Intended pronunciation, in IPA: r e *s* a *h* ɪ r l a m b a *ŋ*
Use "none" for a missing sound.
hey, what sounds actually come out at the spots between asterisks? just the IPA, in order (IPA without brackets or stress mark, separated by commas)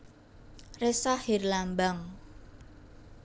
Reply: s, h, ŋ